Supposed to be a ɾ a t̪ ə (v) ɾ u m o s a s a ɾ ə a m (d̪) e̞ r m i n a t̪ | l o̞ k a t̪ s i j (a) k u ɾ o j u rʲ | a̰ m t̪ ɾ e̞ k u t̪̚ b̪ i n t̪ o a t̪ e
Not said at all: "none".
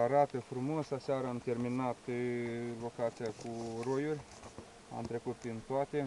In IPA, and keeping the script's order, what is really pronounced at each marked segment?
f, t̪, a

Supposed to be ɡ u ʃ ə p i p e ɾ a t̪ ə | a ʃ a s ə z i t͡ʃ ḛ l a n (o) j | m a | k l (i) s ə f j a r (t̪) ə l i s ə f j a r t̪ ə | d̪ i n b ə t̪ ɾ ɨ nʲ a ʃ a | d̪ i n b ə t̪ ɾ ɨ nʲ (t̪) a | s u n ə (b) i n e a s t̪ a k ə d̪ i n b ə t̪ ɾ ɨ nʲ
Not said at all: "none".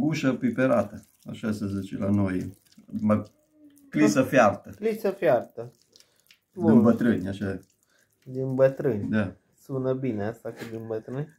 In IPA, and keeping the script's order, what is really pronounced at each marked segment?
o, i, t̪, d̪, b

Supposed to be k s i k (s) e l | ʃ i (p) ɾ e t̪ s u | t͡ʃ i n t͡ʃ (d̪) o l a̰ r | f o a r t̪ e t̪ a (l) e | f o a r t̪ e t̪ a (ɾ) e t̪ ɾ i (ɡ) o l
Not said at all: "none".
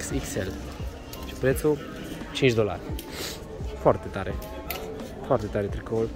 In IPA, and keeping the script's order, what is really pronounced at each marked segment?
s, p, d̪, ɾ, ɾ, k

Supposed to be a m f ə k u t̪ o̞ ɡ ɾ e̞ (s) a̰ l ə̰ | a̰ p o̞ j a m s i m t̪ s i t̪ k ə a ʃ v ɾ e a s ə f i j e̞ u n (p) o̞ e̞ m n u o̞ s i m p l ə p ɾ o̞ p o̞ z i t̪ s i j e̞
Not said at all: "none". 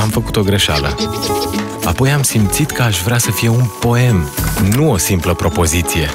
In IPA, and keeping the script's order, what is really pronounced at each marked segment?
ʃ, p

